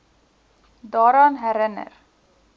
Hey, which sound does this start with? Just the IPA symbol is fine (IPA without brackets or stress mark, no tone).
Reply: d̪